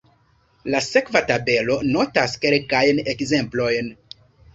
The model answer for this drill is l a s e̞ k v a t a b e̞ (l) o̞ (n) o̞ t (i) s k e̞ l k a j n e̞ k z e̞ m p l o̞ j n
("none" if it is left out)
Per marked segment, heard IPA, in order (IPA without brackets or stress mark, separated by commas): l, n, a